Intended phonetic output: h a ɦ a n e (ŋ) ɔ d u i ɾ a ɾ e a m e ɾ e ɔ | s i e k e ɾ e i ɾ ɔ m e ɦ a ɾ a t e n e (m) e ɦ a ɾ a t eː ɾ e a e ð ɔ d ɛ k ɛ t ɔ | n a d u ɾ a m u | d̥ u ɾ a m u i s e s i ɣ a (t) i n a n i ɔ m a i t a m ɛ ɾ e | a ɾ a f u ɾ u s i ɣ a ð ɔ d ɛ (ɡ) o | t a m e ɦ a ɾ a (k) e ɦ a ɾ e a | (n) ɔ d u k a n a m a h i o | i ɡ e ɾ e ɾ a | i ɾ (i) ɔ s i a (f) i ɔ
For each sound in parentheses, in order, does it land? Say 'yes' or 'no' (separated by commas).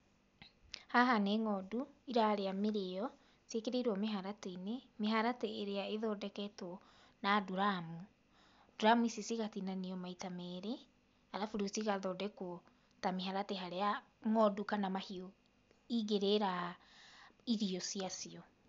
yes, yes, yes, no, no, no, yes, no